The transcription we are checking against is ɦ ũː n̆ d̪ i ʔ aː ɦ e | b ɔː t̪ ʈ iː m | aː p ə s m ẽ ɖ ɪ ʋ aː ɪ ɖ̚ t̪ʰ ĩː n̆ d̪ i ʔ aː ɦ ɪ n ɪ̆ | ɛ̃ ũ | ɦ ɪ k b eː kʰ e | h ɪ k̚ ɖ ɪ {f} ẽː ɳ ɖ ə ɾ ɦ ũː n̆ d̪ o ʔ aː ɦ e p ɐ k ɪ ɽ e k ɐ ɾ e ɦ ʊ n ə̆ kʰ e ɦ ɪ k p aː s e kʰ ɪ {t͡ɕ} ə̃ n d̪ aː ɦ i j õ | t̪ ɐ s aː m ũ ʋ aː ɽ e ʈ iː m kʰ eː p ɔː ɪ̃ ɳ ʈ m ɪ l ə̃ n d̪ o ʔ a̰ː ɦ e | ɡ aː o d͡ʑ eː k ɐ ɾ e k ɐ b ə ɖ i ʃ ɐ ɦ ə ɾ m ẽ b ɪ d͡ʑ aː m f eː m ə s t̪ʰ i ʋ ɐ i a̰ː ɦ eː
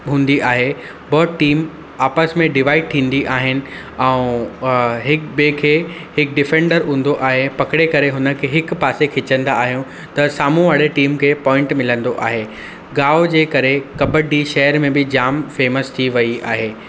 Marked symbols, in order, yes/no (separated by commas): yes, yes